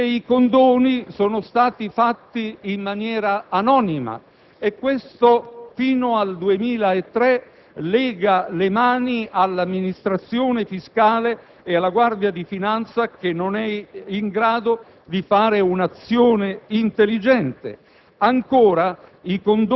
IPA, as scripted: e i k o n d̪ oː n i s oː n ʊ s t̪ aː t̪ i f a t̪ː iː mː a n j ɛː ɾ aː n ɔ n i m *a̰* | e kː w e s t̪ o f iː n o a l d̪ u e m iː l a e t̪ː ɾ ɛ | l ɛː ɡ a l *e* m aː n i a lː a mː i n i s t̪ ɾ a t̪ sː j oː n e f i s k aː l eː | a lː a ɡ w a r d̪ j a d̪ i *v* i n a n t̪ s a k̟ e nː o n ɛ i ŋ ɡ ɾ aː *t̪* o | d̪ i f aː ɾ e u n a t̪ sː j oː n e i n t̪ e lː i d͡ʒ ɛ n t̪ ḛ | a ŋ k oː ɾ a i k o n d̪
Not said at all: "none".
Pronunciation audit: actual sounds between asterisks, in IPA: a̰, e, f, d̪

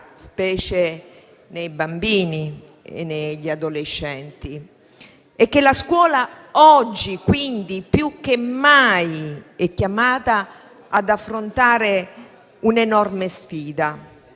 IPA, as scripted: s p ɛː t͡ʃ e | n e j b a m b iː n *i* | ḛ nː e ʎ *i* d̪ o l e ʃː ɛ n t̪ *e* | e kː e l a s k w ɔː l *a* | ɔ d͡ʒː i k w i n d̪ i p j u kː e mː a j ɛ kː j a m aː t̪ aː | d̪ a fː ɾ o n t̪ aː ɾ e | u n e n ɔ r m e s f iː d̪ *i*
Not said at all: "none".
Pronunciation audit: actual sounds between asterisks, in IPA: i, a, i, a, a

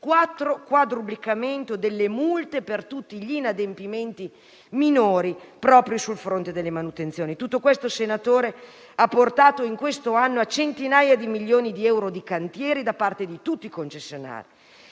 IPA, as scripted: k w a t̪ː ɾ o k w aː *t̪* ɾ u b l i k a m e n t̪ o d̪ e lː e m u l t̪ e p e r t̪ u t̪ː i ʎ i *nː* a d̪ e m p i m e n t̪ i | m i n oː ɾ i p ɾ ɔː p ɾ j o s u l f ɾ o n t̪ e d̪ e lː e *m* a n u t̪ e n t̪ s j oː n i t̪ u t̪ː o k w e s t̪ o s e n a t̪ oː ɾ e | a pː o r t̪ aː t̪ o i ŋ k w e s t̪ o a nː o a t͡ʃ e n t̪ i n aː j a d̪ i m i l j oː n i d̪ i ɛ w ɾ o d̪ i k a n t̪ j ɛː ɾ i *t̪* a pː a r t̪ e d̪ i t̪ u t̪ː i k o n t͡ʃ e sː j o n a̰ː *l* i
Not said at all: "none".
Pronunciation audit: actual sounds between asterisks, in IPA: d̪, n, m, d̪, ɾ

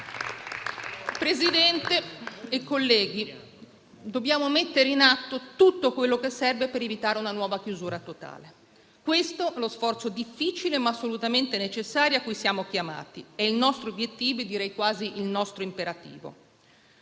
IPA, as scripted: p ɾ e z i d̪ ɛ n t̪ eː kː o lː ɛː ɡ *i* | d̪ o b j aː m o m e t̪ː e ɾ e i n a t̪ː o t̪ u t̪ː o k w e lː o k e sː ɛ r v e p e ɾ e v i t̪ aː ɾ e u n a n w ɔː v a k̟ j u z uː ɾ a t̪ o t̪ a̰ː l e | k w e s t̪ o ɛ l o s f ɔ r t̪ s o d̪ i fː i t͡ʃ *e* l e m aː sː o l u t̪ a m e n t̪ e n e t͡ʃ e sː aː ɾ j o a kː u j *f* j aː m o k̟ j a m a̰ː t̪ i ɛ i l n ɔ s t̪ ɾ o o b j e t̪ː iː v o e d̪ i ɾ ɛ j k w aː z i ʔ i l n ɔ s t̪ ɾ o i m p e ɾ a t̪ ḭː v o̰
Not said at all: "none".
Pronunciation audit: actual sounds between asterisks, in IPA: i, i, s

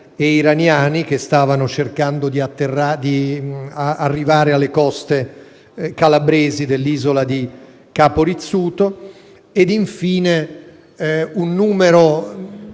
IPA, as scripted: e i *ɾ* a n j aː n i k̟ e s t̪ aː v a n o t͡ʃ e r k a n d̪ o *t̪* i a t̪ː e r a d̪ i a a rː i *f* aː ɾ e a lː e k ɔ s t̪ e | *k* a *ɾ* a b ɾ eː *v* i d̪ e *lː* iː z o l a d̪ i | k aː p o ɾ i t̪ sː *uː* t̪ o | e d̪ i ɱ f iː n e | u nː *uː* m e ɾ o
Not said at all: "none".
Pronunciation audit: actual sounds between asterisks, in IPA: ɾ, d̪, v, k, l, z, lː, uː, uː

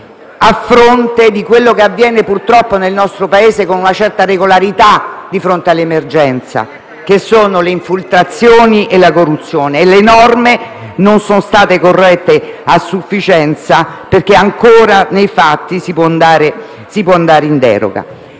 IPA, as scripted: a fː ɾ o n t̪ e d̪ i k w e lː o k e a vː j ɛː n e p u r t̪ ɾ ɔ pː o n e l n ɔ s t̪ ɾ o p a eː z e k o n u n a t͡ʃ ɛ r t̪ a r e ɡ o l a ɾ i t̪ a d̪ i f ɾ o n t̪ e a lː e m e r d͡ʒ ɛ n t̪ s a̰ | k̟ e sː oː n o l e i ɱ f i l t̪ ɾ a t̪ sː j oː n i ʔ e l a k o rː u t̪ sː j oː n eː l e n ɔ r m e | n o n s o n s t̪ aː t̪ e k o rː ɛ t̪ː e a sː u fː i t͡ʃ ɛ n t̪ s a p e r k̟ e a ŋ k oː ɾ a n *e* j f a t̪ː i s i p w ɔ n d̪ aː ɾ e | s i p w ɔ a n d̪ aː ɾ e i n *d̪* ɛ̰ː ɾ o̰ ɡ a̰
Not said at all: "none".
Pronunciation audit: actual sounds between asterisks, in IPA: e, d̪

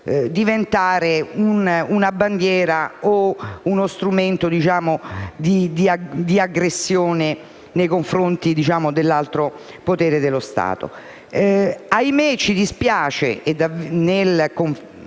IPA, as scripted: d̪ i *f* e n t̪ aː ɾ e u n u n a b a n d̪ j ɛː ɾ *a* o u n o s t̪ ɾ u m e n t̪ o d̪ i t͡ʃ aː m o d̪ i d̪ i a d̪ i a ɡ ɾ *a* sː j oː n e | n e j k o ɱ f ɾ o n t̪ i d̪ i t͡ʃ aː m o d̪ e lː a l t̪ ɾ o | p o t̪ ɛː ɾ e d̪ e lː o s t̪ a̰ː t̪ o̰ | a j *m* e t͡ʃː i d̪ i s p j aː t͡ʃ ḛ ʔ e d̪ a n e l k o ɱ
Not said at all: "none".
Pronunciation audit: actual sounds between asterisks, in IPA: v, a, e, m

